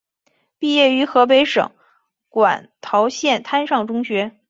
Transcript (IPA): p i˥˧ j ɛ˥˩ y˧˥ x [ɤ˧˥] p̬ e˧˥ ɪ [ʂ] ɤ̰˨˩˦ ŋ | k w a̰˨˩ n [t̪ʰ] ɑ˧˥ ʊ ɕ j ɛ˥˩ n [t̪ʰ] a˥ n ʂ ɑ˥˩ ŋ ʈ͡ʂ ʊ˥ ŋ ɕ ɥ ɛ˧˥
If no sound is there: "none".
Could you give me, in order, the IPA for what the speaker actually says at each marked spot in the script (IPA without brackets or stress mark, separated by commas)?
ɤ˧˥, ʂ, t̪ʰ, t̪ʰ